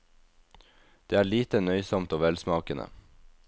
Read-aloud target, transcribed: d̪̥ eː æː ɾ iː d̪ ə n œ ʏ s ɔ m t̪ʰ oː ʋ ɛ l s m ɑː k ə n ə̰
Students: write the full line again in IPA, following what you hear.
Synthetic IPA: d̪̥ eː æː ɭ iː t̪ ə n œ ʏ s ɔ m t̪ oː ʋ ɛ l s m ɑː k ə n ə̰